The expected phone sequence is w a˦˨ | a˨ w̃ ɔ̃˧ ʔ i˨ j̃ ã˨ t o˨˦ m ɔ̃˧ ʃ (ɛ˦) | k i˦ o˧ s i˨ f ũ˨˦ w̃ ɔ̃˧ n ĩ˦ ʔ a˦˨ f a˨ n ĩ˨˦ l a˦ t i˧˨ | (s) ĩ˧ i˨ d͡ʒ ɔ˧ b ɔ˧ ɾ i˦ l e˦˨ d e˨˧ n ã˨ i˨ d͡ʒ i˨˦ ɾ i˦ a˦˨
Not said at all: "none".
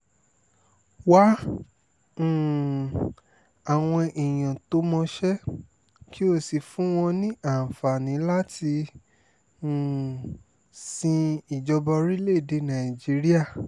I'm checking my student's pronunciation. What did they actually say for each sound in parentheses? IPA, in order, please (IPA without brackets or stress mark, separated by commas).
ɛ˦, s